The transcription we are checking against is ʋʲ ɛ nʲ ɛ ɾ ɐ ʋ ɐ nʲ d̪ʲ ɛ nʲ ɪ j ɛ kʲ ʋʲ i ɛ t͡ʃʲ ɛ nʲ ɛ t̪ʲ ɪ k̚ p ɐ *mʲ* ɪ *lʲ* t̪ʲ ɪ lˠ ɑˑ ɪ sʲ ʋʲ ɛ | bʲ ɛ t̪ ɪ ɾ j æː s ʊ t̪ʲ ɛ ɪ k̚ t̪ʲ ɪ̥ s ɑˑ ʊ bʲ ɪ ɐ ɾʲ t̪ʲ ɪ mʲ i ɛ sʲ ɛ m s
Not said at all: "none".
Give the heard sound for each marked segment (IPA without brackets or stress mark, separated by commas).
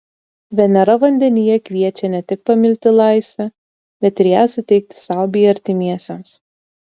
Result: mʲ, lʲ